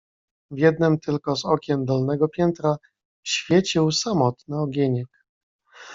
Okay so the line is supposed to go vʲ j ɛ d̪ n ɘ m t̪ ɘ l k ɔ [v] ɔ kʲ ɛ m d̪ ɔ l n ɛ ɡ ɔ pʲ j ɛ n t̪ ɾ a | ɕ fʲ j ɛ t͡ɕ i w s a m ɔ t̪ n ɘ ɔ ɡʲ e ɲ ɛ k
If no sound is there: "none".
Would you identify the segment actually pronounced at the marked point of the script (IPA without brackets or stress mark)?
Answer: z